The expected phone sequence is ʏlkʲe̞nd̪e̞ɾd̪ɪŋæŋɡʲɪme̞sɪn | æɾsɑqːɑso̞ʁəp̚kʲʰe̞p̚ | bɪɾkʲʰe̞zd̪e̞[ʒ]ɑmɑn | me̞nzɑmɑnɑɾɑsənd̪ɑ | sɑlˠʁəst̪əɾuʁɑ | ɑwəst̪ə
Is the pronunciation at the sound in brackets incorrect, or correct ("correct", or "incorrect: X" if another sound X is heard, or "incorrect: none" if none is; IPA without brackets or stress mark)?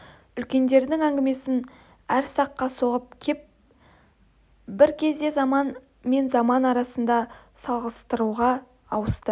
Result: incorrect: z